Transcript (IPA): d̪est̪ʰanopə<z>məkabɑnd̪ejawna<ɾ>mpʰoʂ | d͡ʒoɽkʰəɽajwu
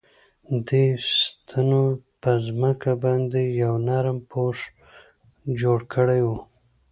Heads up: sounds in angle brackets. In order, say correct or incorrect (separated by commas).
correct, correct